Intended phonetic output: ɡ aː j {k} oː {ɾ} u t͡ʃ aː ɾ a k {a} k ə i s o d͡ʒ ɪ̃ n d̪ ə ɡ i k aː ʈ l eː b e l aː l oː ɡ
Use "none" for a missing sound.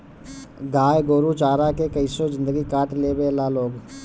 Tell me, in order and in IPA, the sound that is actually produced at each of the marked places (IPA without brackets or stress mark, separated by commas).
ɡ, ɾ, e